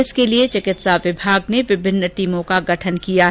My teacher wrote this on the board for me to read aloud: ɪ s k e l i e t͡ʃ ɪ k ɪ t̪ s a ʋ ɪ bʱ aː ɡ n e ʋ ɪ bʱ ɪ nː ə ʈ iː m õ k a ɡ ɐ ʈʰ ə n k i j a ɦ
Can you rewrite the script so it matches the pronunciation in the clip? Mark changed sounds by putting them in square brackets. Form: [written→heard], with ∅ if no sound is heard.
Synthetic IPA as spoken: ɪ s k e l i e t͡ʃ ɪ k ɪ t̪ s a ʋ ɪ bʱ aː ɡ n e ʋ ɪ bʱ ɪ nː ə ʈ iː m õ k a ɡ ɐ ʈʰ ə n k i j a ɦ